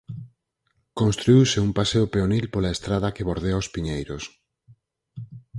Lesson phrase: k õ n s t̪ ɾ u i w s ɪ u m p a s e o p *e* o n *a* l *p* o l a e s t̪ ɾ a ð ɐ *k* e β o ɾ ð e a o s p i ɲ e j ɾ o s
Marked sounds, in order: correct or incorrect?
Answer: correct, incorrect, correct, correct

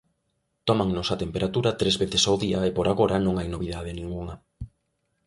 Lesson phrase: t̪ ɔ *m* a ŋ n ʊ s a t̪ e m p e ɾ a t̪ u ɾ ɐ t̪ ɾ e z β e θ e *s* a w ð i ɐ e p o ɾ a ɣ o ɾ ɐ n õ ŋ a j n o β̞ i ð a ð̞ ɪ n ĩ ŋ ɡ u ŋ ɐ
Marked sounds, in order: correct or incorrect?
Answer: correct, correct

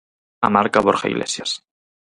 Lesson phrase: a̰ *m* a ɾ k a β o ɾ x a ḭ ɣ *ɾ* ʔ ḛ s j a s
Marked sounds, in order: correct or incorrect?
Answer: correct, incorrect

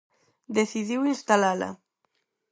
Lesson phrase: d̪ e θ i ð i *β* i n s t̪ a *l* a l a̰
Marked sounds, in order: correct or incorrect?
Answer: incorrect, correct

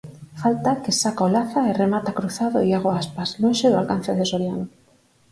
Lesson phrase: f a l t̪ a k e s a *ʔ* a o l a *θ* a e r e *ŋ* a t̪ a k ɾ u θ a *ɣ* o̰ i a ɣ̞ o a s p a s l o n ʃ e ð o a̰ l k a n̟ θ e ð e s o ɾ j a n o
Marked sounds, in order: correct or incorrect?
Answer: incorrect, correct, incorrect, incorrect

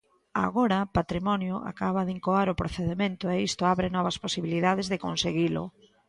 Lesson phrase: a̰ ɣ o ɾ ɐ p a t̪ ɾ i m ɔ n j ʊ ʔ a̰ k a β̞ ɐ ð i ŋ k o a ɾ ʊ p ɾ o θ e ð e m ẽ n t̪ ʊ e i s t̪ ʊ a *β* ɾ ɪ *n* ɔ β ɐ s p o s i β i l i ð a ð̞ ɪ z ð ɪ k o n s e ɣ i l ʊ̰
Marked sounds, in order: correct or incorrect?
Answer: correct, correct

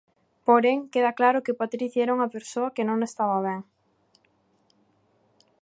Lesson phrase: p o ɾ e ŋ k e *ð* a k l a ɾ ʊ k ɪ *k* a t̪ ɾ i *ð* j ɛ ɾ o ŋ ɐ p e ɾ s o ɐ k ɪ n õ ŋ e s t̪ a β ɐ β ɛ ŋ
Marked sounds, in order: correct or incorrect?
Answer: correct, incorrect, incorrect

